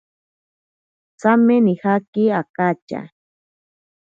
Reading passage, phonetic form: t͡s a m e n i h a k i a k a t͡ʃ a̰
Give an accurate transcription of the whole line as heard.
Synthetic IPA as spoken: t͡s a m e n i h a k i a k a t͡ʃ a̰